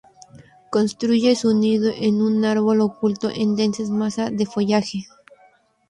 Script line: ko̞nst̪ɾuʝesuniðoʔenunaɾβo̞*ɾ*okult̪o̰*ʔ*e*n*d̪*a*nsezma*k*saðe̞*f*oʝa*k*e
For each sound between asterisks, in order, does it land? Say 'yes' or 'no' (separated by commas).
no, yes, yes, no, no, yes, no